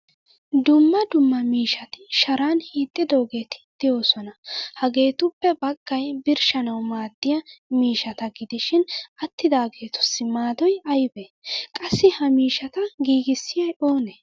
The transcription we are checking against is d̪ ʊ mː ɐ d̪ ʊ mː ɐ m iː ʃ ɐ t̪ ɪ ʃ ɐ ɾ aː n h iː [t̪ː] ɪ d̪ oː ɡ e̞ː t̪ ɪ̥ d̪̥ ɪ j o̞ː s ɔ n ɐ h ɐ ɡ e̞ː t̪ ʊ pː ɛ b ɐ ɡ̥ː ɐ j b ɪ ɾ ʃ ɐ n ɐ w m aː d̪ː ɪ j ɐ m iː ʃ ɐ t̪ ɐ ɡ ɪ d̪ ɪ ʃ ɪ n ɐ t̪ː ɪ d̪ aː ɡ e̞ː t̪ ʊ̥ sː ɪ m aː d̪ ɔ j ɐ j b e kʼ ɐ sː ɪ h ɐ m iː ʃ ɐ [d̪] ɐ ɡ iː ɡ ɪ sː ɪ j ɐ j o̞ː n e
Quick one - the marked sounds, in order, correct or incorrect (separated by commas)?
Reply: incorrect, incorrect